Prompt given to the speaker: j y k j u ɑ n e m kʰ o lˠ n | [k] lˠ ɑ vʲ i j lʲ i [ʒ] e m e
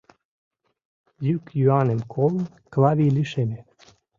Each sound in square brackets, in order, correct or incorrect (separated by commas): correct, incorrect